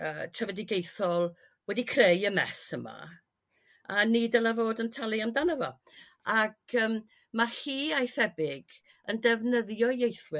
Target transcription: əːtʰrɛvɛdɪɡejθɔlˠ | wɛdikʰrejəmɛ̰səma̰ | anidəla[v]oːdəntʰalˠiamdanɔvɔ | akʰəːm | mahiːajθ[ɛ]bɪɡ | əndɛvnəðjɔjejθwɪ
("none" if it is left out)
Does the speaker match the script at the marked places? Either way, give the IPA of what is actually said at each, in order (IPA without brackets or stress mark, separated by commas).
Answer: v, ɛ